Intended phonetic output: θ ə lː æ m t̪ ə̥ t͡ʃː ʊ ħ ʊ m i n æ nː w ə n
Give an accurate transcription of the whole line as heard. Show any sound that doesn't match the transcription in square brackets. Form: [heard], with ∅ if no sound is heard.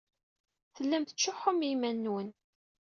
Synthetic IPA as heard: θ ə lː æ m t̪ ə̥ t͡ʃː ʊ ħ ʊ m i [m] æ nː w ə n